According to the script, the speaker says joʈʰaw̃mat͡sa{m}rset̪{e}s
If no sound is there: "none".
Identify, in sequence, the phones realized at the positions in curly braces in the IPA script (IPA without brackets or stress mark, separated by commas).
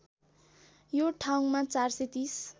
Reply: none, i